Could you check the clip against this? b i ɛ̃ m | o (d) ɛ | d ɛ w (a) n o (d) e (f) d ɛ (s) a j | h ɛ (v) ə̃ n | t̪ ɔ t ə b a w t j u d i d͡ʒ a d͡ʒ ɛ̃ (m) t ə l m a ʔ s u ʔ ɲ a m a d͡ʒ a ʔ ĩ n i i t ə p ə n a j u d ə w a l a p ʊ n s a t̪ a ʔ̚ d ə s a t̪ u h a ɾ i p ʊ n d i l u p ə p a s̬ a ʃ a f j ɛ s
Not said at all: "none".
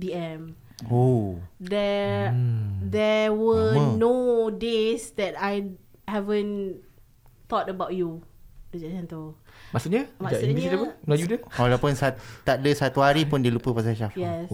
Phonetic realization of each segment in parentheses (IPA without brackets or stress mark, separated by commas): d, ə, d, s, t, v, n